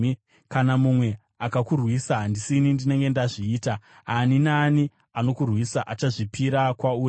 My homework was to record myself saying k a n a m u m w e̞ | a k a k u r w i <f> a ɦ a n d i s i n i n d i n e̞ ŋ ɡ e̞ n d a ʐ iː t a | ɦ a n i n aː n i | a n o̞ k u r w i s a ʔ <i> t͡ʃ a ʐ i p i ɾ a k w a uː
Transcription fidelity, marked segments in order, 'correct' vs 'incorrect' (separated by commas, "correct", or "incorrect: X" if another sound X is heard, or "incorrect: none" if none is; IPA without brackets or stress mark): incorrect: s, incorrect: a